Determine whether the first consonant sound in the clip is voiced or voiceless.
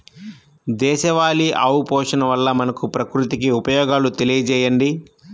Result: voiced